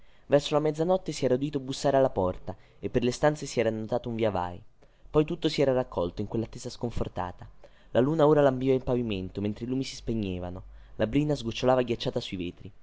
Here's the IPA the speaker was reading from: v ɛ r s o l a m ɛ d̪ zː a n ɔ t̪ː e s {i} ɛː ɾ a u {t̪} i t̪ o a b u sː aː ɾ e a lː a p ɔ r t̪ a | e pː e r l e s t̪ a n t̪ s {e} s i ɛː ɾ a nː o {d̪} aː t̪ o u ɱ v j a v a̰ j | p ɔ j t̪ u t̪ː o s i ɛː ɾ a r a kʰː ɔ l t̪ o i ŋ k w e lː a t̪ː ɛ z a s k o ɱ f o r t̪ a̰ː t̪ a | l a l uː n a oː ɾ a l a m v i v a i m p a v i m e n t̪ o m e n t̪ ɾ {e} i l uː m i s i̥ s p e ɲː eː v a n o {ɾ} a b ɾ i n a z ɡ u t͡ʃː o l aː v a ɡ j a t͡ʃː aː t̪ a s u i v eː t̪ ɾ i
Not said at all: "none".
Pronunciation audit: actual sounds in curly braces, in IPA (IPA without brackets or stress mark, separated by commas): i, d̪, e, t̪, e, l